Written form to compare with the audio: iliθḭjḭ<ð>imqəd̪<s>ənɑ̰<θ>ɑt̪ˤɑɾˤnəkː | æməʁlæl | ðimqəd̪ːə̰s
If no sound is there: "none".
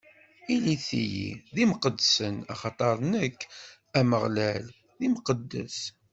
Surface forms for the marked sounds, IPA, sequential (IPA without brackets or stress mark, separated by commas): ð, s, χ